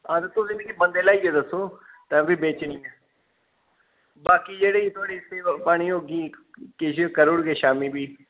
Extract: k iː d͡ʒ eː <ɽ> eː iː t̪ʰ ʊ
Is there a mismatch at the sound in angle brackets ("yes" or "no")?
no